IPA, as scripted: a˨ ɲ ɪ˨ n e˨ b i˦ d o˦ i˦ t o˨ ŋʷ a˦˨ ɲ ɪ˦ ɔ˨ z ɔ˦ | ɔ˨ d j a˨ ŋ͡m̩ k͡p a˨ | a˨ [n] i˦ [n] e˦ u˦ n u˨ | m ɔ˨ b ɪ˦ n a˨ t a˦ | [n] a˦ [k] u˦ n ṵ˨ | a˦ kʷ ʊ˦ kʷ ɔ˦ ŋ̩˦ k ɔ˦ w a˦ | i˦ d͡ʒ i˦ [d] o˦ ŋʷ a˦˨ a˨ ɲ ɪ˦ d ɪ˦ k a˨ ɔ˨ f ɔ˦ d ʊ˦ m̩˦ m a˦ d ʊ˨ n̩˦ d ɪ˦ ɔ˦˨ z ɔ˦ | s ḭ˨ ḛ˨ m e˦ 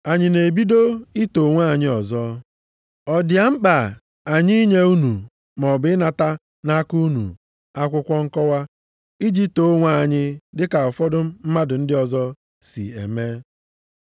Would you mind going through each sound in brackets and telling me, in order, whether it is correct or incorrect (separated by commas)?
incorrect, incorrect, correct, correct, incorrect